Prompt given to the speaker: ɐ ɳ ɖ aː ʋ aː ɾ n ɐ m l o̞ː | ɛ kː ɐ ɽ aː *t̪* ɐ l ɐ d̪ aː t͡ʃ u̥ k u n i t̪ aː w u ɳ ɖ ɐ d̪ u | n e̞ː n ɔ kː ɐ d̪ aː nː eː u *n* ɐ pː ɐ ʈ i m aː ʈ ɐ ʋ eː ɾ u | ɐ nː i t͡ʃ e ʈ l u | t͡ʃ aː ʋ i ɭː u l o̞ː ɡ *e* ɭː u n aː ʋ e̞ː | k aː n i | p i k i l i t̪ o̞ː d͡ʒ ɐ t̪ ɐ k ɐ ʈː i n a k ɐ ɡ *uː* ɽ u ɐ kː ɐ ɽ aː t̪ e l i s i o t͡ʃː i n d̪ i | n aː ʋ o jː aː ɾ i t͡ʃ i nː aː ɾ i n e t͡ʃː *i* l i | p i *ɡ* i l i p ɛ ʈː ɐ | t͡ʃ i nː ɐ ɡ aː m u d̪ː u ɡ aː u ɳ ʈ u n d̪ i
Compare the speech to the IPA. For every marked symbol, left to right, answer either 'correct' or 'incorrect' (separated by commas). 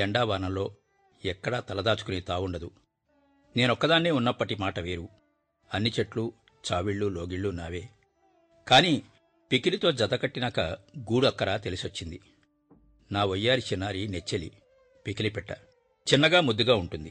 correct, incorrect, incorrect, correct, incorrect, incorrect